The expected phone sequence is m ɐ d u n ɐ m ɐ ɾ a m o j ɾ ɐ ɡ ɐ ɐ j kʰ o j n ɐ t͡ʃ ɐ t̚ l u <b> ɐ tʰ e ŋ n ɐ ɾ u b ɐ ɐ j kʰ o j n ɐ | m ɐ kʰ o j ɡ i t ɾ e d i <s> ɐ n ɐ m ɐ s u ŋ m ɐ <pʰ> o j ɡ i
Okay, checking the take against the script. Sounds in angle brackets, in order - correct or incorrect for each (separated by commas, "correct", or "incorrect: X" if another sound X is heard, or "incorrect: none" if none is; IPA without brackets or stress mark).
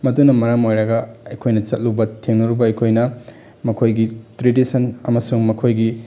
correct, correct, incorrect: kʰ